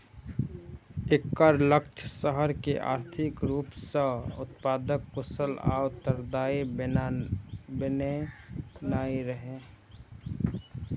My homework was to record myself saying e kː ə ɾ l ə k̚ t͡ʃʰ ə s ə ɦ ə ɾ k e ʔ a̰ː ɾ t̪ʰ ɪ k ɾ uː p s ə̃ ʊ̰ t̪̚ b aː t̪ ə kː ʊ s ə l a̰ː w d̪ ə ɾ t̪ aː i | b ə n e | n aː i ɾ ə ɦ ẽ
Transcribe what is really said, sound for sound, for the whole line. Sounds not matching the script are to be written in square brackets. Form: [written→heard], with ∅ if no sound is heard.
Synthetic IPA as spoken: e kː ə ɾ l ə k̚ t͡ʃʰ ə s ə ɦ ə ɾ k e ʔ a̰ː ɾ t̪ʰ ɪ k ɾ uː p s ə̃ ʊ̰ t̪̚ [b→p] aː [t̪→d̪] ə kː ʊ s ə l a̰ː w [d̪→t̪] ə ɾ [t̪→d̪] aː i | b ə n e | n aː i ɾ ə ɦ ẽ